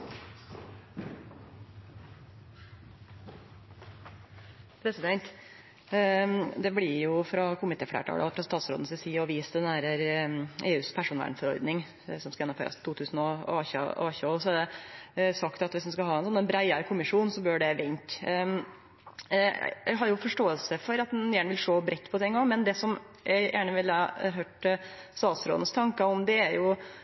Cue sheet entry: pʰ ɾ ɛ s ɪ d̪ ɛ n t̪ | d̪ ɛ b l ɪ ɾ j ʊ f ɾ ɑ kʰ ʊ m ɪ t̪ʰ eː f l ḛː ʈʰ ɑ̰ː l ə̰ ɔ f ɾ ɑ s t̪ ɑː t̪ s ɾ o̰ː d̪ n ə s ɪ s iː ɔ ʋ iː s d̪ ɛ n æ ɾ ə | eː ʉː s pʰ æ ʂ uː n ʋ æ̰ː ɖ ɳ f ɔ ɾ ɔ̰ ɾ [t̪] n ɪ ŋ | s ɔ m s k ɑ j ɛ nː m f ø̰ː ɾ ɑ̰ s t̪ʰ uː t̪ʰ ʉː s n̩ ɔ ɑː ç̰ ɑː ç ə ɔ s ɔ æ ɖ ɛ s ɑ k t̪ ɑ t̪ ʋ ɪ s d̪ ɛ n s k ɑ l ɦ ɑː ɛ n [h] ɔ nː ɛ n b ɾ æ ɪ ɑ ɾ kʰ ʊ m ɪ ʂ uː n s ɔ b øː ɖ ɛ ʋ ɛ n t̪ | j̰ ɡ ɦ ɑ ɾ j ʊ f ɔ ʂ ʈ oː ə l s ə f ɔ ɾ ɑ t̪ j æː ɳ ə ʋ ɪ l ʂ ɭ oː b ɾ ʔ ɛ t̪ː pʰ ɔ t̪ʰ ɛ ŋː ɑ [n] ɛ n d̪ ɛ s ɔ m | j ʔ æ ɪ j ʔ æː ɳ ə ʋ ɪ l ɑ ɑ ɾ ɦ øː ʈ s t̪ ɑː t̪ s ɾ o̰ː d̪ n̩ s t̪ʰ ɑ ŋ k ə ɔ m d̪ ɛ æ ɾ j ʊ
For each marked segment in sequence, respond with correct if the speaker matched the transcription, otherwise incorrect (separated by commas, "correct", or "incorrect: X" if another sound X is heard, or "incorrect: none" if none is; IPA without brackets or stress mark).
incorrect: d̪, incorrect: s, incorrect: m